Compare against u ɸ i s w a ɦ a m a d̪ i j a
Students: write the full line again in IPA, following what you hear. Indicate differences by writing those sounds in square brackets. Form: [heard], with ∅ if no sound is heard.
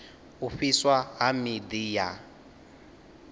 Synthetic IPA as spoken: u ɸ i s w a ɦ a m [i] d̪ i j a